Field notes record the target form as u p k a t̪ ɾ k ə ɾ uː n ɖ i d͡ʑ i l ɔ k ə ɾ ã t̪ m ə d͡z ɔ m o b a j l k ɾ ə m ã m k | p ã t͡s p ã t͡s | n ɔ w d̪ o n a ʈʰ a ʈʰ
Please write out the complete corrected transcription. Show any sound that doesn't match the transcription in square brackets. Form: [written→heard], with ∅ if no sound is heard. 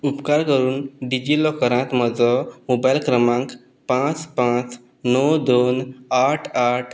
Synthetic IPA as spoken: u p k a [t̪→∅] ɾ k ə ɾ uː n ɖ i d͡ʑ i l ɔ k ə ɾ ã t̪ m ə d͡z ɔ m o b a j l k ɾ ə m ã [m→ŋ] k | p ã t͡s p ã t͡s | n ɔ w d̪ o n a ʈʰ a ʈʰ